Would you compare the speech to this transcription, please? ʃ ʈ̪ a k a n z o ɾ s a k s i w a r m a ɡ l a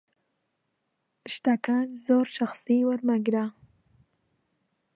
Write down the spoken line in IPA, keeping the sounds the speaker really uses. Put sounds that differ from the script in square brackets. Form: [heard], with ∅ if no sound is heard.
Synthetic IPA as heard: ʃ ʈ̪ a k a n z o ɾ [ʃ] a [x] s i w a [ɾ] m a ɡ [ɾ] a